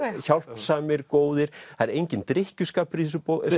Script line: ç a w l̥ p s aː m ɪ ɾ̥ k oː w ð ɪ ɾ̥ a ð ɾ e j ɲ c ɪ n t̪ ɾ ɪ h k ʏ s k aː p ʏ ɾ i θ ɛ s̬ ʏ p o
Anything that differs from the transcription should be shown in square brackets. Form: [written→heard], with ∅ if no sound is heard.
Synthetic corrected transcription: ç a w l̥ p s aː m ɪ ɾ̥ k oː w ð ɪ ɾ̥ a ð ɾ e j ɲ c ɪ n t̪ ɾ ɪ h [k→c] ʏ s k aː p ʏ ɾ i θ ɛ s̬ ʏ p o

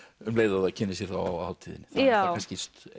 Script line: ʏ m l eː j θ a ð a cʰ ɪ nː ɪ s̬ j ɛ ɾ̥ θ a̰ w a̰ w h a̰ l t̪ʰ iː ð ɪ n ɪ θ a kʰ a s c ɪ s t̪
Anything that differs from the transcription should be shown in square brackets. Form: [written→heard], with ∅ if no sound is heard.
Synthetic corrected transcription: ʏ m l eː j [θ→ð] a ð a cʰ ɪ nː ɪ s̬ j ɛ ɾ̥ θ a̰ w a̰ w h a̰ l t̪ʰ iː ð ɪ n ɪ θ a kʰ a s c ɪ s t̪

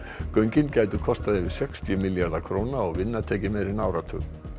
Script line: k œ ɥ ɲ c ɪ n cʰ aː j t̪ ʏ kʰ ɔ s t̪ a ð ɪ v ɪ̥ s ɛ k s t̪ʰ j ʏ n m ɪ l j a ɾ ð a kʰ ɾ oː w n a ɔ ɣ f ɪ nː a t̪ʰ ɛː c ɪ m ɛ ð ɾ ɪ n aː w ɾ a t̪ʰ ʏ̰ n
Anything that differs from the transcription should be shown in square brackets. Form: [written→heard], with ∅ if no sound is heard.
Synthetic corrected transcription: k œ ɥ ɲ c ɪ n [cʰ→c] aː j t̪ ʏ kʰ ɔ s t̪ a ð ɪ v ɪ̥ s ɛ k s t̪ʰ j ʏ [n→∅] m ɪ l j a ɾ ð a kʰ ɾ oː w n a ɔ ɣ [f→v] ɪ nː a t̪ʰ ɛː c ɪ m ɛ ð ɾ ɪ n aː w ɾ a t̪ʰ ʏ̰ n

